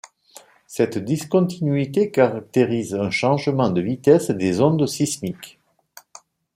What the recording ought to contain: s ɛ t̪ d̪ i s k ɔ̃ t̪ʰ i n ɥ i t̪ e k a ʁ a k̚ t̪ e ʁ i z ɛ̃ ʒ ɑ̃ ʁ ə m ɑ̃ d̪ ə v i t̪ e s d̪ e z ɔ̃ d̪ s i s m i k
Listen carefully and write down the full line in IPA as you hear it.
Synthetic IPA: s ɛ t̪ d̪ i s k ɔ̃ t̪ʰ i n ɥ i t̪ e k a ʁ a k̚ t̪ e ʁ i z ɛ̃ ʃ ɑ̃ ʒ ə m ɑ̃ d̪ ə v i t̪ ɛ s d̪ e z ɔ̃ d̪ s i s m i k